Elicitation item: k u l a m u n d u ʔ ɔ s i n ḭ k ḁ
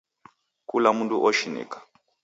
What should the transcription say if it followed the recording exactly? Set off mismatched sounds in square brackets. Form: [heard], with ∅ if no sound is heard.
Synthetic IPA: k u l a m u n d u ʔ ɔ [ʃ] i n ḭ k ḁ